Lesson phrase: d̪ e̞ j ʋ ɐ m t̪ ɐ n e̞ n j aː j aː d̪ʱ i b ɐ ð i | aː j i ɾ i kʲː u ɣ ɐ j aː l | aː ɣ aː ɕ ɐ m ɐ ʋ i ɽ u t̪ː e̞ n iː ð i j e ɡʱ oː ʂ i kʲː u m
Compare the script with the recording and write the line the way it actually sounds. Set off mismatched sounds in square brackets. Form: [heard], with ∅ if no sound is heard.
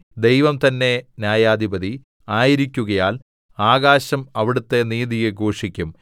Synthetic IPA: d̪ e̞ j ʋ ɐ m t̪ ɐ [nː] e̞ n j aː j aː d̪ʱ i b ɐ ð i | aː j i ɾ i kʲː u ɣ ɐ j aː l | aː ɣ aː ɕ ɐ m ɐ ʋ i ɽ u t̪ː e̞ n iː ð i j e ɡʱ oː ʂ i kʲː u m